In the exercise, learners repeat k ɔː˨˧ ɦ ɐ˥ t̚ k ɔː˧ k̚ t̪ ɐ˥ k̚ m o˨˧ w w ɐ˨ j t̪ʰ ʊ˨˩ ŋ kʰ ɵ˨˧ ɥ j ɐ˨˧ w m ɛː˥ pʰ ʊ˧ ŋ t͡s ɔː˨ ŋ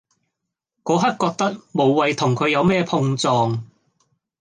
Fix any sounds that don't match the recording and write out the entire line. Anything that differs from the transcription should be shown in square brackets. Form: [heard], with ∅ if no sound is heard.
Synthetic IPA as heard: k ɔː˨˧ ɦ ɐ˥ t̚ k ɔː˧ k̚ t̪ ɐ˥ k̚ m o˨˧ w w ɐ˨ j t̪ʰ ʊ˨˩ ŋ kʰ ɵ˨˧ ɥ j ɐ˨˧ w m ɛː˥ pʰ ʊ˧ ŋ t͡s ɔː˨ ŋ